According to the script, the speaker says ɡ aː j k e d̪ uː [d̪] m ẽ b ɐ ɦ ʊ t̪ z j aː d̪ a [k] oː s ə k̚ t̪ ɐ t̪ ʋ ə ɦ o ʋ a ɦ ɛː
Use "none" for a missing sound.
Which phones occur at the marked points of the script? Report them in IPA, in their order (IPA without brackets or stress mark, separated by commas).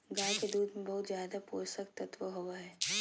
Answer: d̪, p